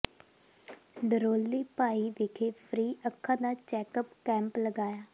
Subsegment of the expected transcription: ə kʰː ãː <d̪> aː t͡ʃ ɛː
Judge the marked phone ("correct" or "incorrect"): correct